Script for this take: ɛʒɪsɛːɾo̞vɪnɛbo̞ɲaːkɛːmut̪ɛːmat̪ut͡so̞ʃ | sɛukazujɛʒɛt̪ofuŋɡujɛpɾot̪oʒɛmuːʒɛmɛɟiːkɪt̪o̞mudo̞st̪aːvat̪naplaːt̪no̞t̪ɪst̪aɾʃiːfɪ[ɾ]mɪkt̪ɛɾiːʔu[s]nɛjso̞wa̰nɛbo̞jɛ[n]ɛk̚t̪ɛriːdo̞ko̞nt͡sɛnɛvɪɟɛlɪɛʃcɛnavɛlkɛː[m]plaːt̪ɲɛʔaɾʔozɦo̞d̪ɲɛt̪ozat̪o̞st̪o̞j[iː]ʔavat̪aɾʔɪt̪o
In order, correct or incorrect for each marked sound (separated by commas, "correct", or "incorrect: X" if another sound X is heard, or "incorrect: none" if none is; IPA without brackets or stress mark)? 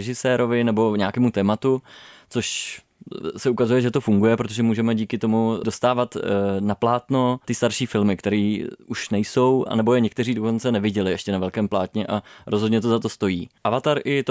incorrect: l, incorrect: ʃ, incorrect: ɲ, correct, correct